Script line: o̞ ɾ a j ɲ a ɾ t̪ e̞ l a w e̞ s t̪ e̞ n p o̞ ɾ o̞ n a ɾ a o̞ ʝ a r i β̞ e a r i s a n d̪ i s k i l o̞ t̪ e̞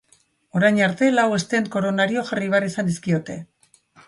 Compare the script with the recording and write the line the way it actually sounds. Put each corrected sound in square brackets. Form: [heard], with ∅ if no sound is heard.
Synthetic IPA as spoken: o̞ ɾ a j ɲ a ɾ t̪ e̞ l a w e̞ s t̪ e̞ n [k] o̞ ɾ o̞ n a ɾ [i] o̞ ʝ a r i β̞ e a r i s a n d̪ i s k i [∅] o̞ t̪ e̞